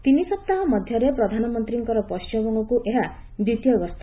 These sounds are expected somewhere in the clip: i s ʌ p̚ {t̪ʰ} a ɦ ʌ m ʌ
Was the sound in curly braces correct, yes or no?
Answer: no